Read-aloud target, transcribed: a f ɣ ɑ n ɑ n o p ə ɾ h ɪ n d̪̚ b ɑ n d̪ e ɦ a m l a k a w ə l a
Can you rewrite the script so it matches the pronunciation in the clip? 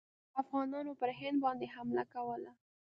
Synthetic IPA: a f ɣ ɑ n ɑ n o p ə ɾ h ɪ n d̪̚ b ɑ n d̪ e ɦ a m l a k a w ə l a